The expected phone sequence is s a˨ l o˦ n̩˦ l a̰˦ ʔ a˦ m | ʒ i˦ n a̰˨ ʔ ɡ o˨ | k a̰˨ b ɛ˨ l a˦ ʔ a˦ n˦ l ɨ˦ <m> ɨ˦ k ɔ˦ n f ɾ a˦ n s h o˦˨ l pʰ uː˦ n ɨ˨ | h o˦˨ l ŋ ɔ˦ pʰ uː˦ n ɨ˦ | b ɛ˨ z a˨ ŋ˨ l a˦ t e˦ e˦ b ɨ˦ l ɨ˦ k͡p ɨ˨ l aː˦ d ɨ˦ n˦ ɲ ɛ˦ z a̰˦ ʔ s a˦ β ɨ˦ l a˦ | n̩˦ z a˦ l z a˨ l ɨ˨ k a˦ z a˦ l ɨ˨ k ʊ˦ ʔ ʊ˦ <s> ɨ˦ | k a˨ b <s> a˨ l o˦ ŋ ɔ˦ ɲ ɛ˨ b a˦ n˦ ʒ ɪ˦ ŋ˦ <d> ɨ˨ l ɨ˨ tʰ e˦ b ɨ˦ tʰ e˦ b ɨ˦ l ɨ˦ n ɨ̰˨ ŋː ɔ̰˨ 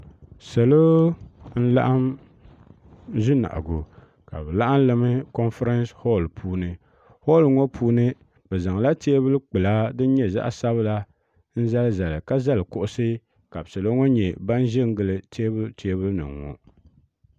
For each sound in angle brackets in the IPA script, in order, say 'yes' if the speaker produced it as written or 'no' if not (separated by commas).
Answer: yes, yes, yes, no